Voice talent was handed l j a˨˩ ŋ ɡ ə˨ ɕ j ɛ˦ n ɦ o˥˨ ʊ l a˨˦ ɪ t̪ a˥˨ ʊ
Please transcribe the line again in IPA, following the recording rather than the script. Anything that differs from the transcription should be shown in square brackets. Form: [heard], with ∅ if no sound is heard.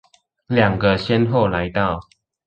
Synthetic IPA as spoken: l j a˨˩ ŋ ɡ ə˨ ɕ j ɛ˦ n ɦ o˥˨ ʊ l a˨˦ ɪ t̪ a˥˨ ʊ